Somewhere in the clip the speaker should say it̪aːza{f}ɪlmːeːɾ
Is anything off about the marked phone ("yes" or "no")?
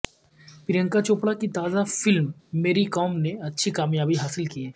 no